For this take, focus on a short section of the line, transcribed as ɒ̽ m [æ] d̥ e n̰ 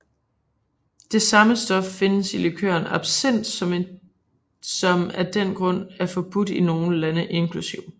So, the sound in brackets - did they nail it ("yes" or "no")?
yes